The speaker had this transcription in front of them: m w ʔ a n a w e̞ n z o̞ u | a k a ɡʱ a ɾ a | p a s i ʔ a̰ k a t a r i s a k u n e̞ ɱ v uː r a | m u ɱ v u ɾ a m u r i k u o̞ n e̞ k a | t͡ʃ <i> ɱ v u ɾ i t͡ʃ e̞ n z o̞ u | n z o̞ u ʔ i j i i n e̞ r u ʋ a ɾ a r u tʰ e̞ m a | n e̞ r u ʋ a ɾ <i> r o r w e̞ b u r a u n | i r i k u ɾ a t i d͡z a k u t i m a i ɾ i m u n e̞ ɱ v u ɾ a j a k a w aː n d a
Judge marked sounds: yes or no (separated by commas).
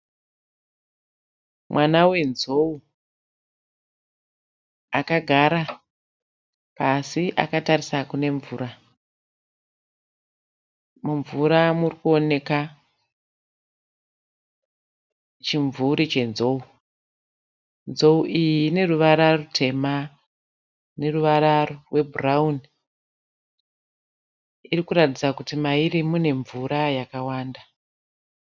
yes, no